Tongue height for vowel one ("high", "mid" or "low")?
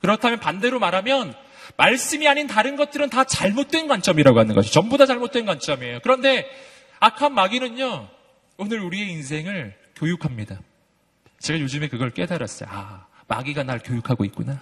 high